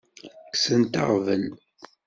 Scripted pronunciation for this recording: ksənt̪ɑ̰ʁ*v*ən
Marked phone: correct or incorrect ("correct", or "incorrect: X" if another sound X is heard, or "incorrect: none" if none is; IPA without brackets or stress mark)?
correct